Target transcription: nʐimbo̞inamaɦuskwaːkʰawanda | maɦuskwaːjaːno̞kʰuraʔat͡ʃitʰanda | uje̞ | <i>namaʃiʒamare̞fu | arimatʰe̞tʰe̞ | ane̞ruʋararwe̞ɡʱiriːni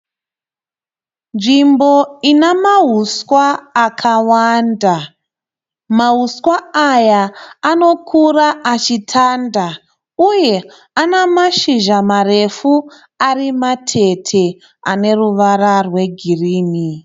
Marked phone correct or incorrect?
incorrect: a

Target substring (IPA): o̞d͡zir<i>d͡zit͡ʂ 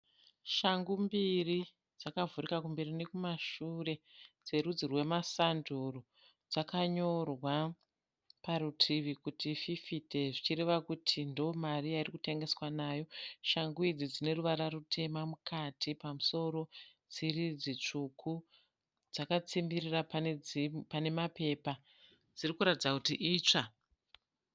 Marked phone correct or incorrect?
correct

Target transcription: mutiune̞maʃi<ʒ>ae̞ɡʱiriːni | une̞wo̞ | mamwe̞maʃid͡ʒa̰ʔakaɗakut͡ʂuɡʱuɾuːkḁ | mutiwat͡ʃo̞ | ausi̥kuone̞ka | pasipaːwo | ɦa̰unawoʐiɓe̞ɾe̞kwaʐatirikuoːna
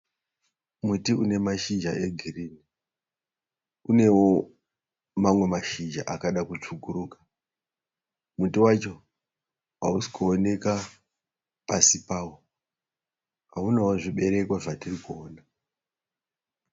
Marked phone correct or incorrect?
incorrect: d͡ʒ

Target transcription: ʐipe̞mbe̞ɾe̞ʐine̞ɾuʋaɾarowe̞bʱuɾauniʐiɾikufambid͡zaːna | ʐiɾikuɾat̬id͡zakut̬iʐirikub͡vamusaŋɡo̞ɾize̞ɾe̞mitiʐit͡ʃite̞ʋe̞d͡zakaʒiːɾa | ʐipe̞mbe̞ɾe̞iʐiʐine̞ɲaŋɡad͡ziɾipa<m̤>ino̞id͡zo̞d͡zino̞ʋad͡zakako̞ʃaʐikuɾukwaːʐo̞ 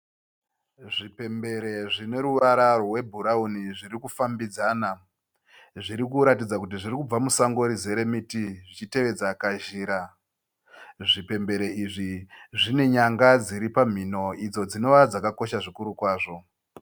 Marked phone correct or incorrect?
correct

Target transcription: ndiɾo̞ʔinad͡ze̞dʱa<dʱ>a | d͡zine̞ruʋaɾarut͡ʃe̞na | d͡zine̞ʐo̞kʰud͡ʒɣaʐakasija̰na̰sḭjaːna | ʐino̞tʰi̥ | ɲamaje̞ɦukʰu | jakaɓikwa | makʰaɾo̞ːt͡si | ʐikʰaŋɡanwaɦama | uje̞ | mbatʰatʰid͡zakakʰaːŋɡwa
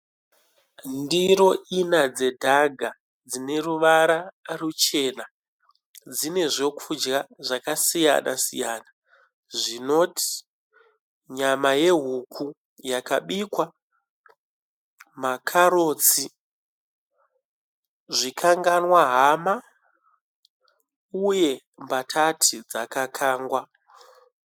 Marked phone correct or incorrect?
incorrect: ɡʱ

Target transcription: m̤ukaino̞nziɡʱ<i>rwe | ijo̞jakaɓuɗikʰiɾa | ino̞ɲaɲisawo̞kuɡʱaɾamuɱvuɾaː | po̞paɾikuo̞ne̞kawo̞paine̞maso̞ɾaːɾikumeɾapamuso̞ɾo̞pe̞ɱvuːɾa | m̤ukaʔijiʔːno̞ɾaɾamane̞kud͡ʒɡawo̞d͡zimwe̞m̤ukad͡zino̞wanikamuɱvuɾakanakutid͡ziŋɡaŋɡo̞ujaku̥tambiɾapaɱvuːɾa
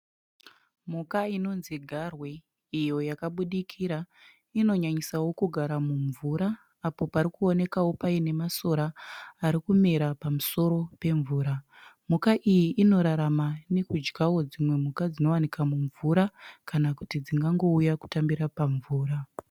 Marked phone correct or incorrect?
incorrect: a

